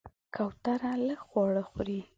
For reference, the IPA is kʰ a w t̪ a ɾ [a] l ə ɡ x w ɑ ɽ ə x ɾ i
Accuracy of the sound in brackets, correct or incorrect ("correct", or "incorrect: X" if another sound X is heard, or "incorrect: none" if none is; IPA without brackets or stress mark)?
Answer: correct